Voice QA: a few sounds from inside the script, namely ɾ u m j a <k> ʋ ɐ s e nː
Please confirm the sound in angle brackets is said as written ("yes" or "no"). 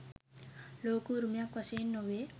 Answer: yes